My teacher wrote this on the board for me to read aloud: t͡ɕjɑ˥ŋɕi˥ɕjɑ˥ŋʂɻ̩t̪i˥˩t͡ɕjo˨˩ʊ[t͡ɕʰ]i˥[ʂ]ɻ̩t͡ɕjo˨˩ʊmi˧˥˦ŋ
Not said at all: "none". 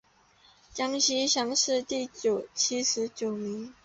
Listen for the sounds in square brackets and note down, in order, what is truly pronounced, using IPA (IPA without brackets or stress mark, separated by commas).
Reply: t͡ɕʰ, ʂ